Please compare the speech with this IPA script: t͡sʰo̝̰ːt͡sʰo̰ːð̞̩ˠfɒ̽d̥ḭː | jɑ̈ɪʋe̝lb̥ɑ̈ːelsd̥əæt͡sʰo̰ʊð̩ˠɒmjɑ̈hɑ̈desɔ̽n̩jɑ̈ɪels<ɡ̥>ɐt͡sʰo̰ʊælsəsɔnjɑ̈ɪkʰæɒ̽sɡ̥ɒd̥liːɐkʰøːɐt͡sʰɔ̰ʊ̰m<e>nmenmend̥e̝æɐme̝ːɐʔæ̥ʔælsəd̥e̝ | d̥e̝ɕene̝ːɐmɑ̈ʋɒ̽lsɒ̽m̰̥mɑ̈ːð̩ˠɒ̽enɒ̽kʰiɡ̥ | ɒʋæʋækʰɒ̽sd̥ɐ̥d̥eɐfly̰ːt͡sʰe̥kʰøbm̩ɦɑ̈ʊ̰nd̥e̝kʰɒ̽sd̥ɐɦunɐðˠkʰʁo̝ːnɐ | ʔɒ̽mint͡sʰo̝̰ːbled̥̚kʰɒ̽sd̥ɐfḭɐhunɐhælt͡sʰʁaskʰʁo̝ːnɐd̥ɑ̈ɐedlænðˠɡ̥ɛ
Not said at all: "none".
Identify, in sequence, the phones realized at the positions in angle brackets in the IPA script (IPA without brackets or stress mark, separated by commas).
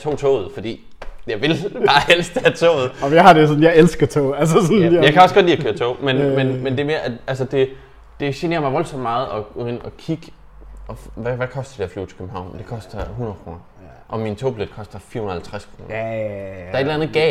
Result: ɡ̥, e